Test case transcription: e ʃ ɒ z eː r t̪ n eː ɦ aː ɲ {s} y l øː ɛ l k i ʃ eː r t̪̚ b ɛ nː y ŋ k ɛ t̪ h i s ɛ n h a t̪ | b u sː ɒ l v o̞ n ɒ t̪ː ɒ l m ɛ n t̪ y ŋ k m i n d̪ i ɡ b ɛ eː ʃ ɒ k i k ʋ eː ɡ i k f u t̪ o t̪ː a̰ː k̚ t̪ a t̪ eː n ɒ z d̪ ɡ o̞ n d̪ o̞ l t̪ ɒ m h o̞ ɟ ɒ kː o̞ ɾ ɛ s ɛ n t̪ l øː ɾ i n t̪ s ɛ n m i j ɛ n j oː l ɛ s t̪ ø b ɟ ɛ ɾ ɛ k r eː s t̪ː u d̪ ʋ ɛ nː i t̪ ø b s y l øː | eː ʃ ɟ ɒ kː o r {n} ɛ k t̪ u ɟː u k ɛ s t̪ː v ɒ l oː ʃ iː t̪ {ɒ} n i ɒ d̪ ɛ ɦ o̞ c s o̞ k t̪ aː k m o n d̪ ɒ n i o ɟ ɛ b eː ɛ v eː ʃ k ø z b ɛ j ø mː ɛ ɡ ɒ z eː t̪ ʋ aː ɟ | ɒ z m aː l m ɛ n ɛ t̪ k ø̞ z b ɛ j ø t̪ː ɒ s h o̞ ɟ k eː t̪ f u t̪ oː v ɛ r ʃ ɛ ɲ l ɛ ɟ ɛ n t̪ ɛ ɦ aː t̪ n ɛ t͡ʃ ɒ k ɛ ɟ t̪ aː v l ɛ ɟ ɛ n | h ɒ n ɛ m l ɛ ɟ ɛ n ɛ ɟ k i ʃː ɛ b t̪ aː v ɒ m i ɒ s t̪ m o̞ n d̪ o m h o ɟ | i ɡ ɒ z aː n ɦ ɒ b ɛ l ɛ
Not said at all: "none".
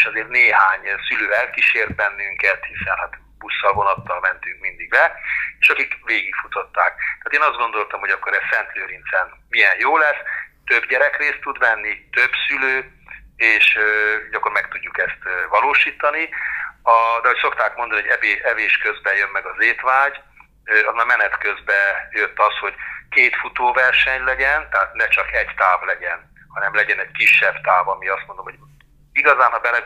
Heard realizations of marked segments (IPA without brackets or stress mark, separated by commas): s, m, ɒ